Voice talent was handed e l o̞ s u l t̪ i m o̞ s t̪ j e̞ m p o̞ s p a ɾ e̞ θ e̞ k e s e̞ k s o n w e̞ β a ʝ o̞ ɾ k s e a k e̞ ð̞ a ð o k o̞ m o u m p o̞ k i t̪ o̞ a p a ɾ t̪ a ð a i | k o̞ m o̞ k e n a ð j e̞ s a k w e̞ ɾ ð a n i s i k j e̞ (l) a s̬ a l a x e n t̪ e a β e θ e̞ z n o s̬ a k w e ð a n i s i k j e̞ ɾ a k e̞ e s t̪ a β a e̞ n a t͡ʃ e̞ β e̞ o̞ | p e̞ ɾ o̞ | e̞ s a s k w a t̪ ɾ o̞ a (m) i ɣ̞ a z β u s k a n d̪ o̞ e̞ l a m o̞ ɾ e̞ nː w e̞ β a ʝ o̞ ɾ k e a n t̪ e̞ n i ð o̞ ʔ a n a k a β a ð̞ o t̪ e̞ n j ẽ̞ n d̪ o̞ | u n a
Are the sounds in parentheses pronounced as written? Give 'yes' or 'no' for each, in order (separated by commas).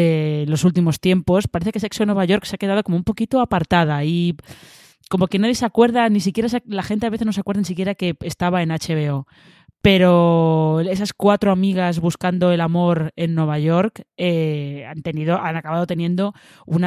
no, yes